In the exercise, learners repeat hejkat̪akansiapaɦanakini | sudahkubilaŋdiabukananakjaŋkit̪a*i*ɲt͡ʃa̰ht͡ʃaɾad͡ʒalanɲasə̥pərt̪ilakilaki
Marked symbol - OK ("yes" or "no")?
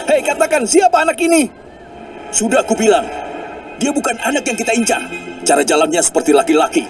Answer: yes